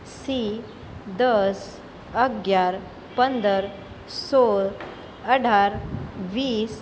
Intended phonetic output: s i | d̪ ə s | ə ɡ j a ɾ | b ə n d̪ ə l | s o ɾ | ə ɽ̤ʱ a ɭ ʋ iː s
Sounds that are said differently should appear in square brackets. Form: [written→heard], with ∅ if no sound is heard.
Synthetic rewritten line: s i | d̪ ə s | ə ɡ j a ɾ | [b→p] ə n d̪ ə [l→ɾ] | s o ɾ | ə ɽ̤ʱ a [ɭ→ɾ] ʋ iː s